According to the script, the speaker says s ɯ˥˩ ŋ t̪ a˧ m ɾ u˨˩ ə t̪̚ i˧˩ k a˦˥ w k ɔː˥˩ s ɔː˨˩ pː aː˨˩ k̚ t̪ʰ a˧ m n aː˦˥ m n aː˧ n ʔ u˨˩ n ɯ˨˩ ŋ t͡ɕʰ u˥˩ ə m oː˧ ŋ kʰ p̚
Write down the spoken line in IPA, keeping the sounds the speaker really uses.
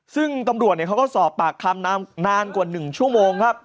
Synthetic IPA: s ɯ˥˩ ŋ t̪ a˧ m ɾ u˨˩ ə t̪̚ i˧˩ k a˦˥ w k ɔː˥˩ s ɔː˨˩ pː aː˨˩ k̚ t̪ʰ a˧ m n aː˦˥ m n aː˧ n k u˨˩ n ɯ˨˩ ŋ t͡ɕʰ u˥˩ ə m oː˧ ŋ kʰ p̚